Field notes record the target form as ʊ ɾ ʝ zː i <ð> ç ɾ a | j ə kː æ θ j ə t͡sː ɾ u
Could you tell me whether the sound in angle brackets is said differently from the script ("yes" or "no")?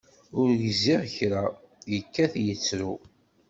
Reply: yes